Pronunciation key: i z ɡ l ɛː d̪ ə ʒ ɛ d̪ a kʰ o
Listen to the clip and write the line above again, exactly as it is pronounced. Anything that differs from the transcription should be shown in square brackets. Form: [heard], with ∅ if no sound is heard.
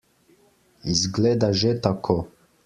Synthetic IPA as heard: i z ɡ l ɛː d̪ [a] ʒ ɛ [t̪] a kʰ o